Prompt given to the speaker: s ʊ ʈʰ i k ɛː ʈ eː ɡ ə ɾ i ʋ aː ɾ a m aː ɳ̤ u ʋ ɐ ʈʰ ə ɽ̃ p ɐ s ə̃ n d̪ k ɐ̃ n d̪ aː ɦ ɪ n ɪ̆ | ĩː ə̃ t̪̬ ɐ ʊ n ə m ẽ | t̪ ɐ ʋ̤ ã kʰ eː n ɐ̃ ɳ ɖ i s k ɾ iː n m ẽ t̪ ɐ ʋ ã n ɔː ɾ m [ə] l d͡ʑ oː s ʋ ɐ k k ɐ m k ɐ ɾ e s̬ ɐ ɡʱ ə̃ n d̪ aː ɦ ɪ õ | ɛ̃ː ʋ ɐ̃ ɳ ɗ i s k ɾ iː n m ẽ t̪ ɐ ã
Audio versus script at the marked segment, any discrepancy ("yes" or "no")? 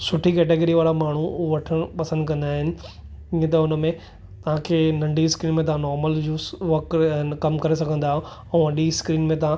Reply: no